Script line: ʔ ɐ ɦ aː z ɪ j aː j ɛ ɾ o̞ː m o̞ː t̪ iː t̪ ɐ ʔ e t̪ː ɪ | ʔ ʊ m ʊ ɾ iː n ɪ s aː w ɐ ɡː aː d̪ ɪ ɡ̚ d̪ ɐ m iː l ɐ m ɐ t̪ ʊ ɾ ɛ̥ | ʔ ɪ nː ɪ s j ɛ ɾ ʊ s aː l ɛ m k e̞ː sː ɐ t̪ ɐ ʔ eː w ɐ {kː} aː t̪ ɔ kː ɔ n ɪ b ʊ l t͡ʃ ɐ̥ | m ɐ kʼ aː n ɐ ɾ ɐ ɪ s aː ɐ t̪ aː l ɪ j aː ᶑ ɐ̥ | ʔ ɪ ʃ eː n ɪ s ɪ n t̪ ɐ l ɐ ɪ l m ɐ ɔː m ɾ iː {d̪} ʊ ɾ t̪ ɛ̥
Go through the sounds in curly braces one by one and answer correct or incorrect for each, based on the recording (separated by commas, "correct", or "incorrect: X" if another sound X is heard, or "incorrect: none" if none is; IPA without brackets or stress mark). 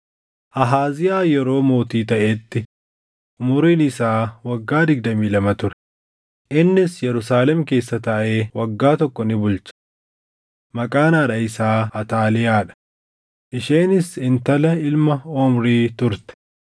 incorrect: ɡː, incorrect: t̪